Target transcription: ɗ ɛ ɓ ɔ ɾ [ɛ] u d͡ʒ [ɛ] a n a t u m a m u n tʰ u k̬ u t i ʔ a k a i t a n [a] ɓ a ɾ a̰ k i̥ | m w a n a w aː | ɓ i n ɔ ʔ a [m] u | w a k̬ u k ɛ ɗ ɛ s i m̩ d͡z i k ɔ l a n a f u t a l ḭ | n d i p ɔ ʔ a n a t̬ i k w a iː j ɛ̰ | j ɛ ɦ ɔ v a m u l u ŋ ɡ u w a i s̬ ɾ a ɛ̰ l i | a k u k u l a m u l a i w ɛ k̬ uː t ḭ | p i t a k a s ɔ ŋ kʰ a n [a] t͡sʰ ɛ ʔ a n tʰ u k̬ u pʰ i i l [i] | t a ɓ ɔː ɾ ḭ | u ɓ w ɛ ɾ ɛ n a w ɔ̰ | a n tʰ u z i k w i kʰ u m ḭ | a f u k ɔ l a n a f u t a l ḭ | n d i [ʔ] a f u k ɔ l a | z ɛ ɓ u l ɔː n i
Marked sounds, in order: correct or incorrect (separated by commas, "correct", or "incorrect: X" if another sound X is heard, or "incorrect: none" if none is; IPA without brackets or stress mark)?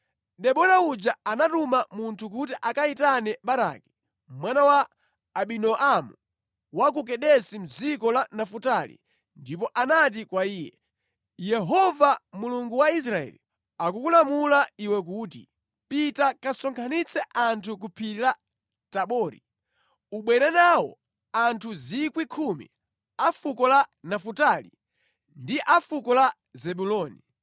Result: incorrect: a, incorrect: a, incorrect: ɛ, correct, incorrect: i, incorrect: a, correct